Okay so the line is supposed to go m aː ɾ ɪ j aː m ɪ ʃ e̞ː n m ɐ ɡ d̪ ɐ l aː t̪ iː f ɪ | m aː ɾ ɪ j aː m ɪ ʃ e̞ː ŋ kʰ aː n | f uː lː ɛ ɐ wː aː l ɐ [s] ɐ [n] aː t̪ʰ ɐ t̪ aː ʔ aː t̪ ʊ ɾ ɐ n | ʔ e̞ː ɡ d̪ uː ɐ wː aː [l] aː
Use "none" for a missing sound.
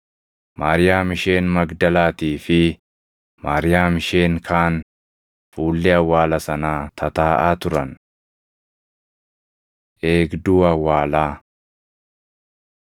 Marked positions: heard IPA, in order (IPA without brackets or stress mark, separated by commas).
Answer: s, n, l